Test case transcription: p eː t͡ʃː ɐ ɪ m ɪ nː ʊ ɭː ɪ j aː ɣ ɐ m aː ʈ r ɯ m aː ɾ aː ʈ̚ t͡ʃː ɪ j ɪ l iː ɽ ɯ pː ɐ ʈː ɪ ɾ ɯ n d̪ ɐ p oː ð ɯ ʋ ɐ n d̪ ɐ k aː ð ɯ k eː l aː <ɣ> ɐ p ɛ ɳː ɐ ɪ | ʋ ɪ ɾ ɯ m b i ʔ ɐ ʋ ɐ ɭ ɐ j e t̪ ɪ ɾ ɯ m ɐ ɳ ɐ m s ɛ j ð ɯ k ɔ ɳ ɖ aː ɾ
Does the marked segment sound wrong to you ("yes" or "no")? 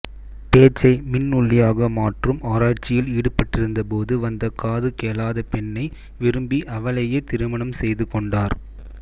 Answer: yes